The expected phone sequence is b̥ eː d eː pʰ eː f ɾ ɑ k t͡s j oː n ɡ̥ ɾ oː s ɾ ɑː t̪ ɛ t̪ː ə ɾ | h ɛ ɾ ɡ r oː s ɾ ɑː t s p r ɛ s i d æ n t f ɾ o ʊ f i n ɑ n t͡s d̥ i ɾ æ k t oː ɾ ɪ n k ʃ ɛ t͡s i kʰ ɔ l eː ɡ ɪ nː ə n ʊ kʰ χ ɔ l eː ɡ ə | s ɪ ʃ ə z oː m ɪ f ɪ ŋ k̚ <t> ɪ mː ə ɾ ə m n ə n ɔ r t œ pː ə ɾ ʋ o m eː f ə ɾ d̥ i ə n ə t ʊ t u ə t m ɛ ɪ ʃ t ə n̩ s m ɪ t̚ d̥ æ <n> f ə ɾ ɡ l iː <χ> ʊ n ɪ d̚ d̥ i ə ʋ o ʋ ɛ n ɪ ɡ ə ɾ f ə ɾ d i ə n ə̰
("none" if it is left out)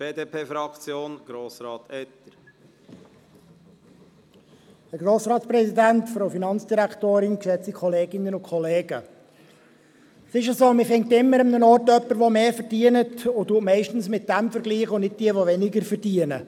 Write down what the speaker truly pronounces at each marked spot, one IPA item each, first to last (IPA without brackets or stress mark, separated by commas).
t, m, χ